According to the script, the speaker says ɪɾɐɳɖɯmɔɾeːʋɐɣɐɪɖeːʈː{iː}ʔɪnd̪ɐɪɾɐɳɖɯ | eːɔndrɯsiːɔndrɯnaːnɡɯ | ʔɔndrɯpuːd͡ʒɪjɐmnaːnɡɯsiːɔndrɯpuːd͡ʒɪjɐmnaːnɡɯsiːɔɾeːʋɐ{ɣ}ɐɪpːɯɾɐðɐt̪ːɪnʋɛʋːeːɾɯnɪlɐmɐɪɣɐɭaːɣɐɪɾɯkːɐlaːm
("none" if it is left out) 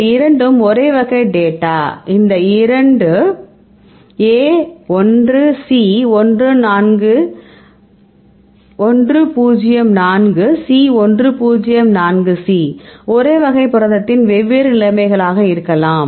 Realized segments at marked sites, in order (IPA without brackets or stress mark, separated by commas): aː, ɣ